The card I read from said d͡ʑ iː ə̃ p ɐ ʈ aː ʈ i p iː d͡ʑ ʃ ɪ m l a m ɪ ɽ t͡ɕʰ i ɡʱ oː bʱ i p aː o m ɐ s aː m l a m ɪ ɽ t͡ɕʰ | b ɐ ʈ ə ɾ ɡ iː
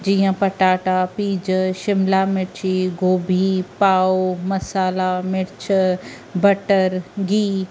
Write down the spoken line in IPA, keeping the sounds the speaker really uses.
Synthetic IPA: d͡ʑ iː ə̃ p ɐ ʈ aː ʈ a p iː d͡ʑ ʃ ɪ m l a m ɪ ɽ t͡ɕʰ i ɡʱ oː bʱ i p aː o m ɐ s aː l a m ɪ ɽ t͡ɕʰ | b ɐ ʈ ə ɾ ɡ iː